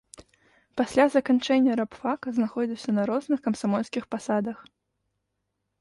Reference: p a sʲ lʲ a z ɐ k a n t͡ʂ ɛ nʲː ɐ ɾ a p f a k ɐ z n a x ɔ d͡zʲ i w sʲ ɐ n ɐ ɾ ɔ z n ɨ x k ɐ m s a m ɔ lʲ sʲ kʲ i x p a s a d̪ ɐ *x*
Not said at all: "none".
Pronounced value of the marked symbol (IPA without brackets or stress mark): x